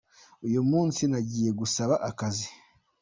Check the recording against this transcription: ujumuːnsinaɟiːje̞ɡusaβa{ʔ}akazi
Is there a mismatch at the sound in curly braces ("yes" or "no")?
no